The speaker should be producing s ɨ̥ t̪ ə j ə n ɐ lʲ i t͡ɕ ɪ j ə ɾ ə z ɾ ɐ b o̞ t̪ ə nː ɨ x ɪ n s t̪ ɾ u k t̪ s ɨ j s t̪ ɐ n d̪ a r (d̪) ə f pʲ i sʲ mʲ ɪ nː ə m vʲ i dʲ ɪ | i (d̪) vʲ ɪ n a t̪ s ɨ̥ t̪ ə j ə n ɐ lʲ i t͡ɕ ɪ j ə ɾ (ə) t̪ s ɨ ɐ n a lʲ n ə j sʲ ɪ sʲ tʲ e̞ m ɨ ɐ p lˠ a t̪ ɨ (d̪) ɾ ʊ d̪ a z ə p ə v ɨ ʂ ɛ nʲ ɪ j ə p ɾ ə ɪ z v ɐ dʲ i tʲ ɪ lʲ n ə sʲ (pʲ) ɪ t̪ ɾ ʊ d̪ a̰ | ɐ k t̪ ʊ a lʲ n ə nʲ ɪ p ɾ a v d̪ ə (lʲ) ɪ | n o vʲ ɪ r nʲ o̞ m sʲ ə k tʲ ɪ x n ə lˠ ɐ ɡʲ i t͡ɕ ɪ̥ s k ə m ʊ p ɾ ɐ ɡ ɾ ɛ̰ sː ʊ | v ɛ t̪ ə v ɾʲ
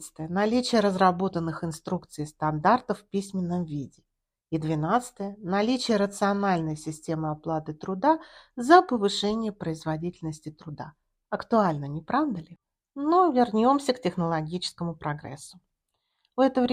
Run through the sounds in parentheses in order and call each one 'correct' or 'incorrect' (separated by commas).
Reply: incorrect, correct, correct, incorrect, incorrect, correct